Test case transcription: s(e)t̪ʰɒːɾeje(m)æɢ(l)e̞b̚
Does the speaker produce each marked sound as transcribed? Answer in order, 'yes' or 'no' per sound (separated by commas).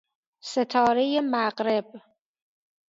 yes, yes, no